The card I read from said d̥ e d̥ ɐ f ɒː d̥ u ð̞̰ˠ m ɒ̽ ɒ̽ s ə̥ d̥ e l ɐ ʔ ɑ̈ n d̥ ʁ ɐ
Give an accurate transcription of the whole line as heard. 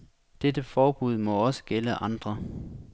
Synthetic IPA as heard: d̥ e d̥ ə f ɒː b̥ u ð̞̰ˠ m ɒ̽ ɒ̽ s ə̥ ɡ̥ e l ə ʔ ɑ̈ n d̥ ʁ ɐ

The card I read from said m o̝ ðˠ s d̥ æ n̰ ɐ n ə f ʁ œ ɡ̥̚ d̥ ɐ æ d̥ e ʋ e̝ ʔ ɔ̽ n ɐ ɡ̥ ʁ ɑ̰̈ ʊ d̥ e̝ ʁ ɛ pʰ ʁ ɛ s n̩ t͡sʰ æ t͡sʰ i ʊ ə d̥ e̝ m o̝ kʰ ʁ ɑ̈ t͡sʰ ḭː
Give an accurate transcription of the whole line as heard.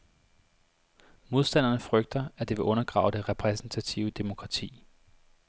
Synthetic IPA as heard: m o̝ ðˠ s d̥ æ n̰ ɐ n ə f ʁ œ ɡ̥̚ d̥ ɐ æ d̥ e ʋ e̝ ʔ ɔ̽ n ɐ ɡ̥ ʁ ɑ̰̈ ʊ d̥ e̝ ʁ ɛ pʰ ʁ ɛ s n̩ t͡sʰ æ t͡sʰ i ʊ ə d̥ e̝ m o̝ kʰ ʁ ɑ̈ t͡sʰ ḭː

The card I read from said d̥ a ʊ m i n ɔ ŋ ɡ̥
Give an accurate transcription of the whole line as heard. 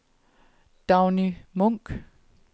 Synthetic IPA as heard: d̥ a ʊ n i m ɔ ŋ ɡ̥

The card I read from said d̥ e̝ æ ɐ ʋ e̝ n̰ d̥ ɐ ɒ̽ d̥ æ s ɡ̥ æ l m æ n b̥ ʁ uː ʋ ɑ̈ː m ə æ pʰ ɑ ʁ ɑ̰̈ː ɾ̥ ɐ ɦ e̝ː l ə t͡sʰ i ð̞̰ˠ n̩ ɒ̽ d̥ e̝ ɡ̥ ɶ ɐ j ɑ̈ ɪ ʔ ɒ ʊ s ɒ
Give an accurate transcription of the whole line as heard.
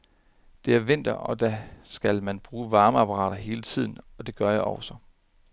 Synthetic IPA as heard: d̥ e̝ æ ɐ ʋ e̝ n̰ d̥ ɐ ɒ̽ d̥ æ s ɡ̥ æ l m æ n b̥ ʁ uː ʋ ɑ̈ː m ə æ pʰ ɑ ʁ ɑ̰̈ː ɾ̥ ɐ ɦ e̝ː l ə t͡sʰ i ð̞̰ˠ n̩ ɒ̽ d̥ e̝ ɡ̥ ɶ ɐ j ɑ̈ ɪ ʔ ɒ ʊ s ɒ

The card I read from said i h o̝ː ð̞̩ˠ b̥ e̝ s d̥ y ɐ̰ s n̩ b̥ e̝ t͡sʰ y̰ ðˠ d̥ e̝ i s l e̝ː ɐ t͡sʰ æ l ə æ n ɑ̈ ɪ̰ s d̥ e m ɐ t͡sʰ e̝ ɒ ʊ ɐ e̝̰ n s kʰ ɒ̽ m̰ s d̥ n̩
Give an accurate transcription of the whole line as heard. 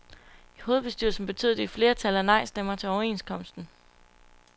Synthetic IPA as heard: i h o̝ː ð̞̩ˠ b̥ e̝ s d̥ y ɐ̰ s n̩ b̥ e̝ t͡sʰ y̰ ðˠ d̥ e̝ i f l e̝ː ɐ t͡sʰ æ l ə æ n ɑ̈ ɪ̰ s d̥ e m ɐ t͡sʰ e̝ ɒ ʊ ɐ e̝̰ n s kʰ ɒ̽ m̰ s d̥ n̩

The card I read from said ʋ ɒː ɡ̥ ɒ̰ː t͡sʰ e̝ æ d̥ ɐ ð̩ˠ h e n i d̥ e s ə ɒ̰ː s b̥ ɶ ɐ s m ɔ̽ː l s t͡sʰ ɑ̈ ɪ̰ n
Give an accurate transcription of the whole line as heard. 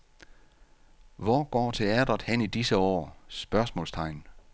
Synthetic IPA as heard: ʋ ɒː ɡ̥ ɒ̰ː t͡sʰ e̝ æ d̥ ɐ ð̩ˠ h e n i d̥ i s ə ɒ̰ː s b̥ ɶ ɐ s m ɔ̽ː l s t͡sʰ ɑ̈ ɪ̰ n

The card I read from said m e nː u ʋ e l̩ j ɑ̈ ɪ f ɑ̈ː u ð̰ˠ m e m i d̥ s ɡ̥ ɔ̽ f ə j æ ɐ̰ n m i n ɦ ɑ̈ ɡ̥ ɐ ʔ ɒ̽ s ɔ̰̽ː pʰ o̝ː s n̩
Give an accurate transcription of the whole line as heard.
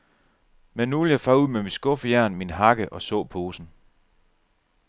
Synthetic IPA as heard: m e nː u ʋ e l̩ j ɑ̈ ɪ f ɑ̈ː u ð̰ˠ m e m i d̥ s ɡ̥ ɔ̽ f ə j æ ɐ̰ n m i n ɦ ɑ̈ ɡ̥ ə ʔ ɒ̽ s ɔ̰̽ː pʰ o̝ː s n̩

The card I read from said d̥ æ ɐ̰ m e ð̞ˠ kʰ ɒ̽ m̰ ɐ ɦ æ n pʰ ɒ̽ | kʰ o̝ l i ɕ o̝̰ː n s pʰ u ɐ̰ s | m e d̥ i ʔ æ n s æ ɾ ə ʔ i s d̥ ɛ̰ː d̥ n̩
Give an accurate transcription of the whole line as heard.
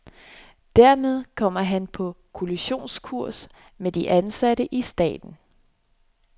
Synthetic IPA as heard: d̥ æ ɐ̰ m e ð̞ˠ kʰ ɒ̽ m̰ ɐ ɦ æ n pʰ ɒ̽ | kʰ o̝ l i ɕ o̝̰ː n s kʰ u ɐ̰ s | m e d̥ i ʔ æ n s æ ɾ ə ʔ i s d̥ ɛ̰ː d̥ n̩

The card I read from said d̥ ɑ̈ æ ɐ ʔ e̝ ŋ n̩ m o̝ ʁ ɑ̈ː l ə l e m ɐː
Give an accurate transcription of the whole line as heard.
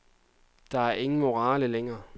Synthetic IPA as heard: d̥ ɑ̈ æ ɐ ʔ e̝ ŋ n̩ m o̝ ʁ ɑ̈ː l ə l e ŋ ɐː

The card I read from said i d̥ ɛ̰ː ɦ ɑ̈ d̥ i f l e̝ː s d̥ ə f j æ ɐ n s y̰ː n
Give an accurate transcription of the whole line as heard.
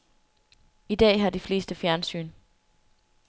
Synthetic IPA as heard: i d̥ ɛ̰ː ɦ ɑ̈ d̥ i f l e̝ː s d̥ ə f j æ ɐ n s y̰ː n

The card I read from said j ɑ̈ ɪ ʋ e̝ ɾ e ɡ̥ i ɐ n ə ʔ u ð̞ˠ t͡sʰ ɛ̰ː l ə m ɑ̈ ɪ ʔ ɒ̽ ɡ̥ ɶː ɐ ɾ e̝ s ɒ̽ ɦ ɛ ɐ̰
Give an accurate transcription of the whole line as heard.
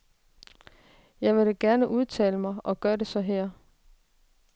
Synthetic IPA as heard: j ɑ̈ ɪ ʋ e̝ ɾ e ɡ̥ æ ɐ n ə ʔ u ð̞ˠ t͡sʰ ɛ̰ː l ə m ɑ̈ ɪ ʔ ɒ̽ ɡ̥ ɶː ɐ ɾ e̝ s ɒ̽ ɦ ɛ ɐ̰

